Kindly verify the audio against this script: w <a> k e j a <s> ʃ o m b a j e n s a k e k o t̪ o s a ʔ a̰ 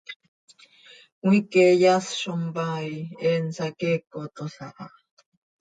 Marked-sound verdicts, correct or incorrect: incorrect: i, correct

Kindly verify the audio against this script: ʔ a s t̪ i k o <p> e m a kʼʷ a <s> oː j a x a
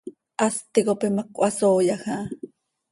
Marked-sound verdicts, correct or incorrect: correct, correct

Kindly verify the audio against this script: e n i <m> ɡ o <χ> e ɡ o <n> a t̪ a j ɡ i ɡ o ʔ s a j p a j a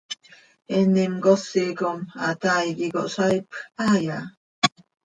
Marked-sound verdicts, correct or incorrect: correct, incorrect: s, incorrect: m

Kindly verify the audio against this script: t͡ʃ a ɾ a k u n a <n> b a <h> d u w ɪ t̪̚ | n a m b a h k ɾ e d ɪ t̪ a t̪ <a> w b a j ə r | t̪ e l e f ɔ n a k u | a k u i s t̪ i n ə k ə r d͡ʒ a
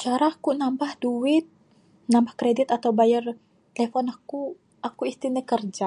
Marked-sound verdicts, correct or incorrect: incorrect: m, correct, correct

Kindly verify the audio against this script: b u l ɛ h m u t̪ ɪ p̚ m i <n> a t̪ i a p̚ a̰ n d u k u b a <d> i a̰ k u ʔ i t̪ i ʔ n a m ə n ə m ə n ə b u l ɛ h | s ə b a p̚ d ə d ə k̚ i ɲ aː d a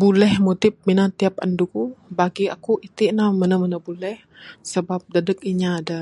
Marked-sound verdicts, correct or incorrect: correct, incorrect: ɡ

